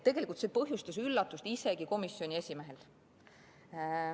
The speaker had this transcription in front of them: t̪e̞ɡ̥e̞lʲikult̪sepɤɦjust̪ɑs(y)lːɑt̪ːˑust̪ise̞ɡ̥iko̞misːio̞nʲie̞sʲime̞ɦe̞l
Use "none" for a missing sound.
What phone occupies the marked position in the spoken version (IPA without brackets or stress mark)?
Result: y